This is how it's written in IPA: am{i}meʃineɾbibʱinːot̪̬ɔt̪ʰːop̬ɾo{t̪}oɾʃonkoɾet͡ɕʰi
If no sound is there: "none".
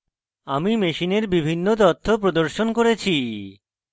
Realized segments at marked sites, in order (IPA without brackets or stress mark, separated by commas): i, d̪